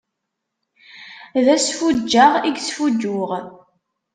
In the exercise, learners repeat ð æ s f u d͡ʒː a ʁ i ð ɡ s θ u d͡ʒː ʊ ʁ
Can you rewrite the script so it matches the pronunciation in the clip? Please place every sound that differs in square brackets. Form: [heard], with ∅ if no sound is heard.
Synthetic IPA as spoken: ð æ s f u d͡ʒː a ʁ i [∅] ɡ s [f] u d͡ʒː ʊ ʁ